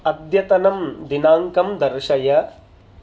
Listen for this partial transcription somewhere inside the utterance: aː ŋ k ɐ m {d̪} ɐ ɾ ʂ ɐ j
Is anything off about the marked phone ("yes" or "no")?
no